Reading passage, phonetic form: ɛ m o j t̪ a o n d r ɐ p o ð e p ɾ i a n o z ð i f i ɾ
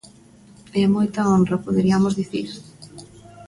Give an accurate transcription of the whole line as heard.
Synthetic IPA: ɛ m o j t̪ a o n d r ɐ p o ð e ɾ i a m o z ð i θ i ɾ